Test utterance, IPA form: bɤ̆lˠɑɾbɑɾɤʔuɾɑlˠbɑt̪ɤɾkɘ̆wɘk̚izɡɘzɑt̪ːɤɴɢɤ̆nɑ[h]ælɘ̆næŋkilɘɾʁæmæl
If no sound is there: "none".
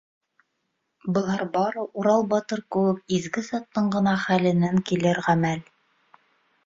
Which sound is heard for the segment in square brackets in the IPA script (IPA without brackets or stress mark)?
χ